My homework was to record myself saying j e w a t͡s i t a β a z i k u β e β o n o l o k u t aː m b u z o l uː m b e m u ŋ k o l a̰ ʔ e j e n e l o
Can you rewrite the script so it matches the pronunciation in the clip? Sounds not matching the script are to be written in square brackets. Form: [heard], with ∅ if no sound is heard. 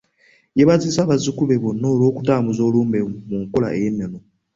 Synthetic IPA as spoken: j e [β] a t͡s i [s] a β a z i k u β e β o n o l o k u t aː m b u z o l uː m b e m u ŋ k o l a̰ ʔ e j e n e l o